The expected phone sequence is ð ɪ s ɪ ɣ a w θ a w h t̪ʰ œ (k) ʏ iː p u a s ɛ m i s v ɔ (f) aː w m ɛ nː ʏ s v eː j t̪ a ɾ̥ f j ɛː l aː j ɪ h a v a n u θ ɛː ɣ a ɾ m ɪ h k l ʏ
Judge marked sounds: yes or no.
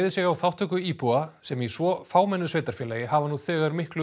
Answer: yes, yes

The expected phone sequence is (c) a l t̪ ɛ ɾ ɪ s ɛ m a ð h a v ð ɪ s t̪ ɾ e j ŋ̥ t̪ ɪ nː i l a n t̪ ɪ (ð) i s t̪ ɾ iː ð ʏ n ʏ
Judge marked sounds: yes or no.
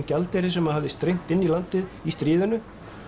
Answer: yes, yes

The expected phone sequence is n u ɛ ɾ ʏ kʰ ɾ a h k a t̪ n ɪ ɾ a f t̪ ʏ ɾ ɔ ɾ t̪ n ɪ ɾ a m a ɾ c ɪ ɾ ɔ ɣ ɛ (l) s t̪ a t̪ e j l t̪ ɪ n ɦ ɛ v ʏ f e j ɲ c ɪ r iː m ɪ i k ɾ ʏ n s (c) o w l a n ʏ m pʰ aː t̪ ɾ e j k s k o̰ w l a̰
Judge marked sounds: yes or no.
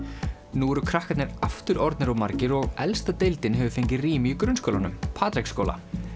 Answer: yes, no

